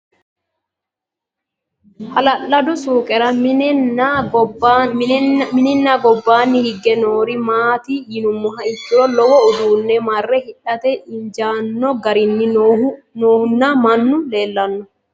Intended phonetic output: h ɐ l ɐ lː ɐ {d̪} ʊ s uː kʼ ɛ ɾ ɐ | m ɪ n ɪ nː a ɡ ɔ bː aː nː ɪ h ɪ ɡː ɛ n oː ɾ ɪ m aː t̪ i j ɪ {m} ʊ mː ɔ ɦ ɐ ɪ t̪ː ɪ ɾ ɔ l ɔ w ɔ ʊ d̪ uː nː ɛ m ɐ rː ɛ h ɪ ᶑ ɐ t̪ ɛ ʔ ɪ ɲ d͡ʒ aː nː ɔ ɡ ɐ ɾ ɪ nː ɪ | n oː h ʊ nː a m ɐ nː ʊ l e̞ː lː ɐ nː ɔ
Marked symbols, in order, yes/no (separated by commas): yes, no